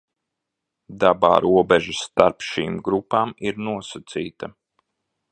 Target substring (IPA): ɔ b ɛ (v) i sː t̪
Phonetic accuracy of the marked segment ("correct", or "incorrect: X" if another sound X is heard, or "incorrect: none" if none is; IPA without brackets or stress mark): incorrect: ʒ